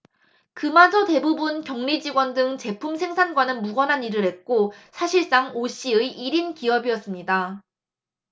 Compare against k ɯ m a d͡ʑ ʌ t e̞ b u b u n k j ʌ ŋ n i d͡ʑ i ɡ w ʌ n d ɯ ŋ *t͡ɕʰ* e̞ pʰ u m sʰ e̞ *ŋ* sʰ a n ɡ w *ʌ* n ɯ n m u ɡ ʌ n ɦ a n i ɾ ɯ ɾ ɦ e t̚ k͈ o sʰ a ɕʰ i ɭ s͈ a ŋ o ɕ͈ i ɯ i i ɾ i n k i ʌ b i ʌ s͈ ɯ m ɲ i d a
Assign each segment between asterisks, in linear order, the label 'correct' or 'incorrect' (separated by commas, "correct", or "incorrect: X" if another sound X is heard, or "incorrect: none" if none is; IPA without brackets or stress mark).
incorrect: t͡ɕ, correct, incorrect: a